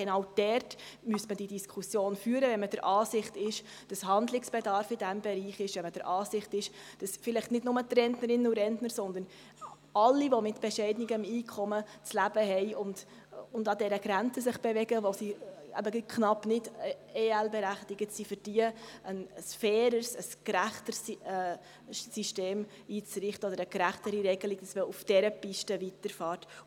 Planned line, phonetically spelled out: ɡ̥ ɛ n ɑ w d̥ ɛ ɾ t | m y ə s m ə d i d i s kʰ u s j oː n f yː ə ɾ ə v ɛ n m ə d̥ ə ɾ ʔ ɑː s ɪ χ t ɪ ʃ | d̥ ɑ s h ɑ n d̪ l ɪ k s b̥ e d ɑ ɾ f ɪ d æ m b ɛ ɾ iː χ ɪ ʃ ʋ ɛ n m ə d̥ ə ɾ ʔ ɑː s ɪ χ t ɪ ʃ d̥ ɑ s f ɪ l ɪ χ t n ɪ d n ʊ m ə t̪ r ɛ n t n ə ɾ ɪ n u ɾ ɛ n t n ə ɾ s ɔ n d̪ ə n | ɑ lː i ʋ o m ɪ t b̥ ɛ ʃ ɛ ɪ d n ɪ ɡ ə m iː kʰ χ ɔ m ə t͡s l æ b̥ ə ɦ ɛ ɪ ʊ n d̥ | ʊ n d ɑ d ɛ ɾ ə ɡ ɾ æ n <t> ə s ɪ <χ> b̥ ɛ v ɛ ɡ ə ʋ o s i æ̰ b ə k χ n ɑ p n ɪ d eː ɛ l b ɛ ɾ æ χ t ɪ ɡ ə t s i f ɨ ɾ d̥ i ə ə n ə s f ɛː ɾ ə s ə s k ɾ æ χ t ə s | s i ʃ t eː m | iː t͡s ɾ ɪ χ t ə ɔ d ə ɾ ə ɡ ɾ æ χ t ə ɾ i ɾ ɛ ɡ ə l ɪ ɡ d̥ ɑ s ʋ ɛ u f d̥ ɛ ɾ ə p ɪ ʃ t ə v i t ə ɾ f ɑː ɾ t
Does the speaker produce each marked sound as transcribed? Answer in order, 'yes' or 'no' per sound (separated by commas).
no, yes